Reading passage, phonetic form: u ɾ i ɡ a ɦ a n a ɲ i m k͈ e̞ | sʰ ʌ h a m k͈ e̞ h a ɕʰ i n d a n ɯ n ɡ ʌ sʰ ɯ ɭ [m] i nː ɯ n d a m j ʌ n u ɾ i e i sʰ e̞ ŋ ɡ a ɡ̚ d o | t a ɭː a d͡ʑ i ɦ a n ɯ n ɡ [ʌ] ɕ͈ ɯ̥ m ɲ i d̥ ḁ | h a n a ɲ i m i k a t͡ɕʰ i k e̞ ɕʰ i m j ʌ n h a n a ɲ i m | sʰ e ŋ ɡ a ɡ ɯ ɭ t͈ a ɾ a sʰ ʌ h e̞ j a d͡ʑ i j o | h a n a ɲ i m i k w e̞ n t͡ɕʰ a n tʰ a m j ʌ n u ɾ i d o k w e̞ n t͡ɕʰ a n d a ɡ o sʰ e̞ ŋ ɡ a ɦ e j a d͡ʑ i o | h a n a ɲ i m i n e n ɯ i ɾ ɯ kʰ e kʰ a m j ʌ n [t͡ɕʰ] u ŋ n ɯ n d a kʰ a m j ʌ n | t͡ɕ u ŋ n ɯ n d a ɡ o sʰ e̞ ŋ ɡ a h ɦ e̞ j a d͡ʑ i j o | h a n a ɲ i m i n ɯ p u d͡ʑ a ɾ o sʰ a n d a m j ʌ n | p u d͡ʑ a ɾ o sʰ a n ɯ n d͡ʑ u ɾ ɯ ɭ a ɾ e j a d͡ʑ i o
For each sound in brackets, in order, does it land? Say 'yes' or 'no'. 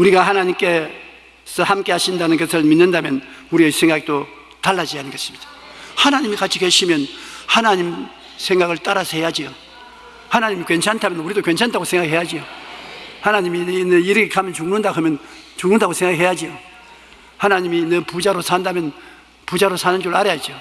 yes, yes, no

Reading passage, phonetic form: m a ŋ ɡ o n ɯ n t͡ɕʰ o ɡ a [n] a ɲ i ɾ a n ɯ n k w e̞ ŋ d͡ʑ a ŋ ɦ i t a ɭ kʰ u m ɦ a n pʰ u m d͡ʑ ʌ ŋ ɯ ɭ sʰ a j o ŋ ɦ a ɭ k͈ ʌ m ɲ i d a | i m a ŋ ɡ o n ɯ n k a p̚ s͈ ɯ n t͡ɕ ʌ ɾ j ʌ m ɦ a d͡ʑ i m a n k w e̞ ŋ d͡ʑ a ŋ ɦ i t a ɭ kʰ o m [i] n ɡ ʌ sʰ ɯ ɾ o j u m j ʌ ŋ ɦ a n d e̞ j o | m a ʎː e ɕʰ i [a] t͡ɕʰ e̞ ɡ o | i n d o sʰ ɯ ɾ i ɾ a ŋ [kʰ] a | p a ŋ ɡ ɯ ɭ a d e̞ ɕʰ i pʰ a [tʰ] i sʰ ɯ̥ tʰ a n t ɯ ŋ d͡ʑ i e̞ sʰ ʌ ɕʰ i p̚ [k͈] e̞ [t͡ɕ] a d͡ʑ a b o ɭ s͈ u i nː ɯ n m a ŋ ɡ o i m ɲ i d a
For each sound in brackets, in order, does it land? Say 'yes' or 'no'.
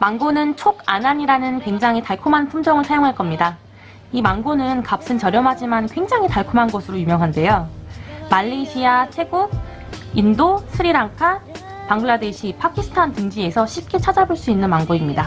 yes, no, yes, yes, no, yes, no

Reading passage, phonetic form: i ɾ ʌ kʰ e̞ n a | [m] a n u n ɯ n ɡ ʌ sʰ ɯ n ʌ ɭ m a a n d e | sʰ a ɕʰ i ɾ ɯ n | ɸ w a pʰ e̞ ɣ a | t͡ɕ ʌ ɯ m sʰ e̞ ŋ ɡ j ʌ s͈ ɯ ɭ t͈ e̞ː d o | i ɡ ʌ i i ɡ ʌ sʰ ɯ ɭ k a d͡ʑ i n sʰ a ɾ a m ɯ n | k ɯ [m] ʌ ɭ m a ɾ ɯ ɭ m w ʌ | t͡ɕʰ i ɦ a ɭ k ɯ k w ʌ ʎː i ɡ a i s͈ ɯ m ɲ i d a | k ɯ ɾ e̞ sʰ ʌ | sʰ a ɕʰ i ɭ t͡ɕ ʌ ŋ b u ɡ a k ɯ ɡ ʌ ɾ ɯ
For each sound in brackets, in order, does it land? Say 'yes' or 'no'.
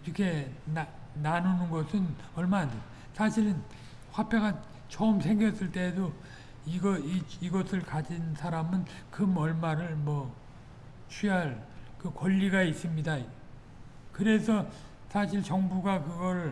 no, yes

